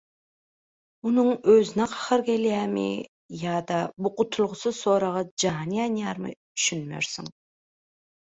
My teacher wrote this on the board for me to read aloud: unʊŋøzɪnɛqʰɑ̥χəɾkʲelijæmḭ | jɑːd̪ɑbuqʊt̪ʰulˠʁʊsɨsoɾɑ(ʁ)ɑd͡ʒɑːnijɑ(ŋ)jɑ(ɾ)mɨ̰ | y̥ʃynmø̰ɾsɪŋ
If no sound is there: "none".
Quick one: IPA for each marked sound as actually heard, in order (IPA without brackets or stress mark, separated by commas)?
ʁ, n, ɾ